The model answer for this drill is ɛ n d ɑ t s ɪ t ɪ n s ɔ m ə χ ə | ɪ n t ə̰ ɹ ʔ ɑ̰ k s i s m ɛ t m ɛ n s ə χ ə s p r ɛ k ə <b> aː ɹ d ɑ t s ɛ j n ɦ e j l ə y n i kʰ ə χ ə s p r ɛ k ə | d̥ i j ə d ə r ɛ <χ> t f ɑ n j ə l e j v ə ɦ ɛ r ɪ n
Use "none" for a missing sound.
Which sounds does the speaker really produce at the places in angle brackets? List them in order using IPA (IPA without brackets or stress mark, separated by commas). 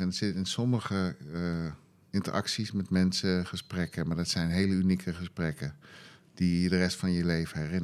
m, s